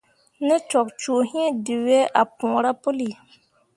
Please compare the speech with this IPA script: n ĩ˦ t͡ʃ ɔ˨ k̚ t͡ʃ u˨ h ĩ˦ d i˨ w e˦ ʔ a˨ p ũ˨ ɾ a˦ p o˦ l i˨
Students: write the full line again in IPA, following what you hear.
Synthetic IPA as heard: n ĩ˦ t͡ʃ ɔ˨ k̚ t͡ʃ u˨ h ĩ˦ d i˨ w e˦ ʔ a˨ p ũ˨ ɾ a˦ p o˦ l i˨